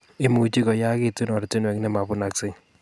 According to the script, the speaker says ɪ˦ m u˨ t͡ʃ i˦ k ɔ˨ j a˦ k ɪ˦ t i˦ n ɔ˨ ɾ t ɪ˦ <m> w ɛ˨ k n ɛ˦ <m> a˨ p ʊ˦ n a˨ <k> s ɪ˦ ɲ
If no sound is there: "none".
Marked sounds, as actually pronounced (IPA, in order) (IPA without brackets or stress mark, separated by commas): n, m, k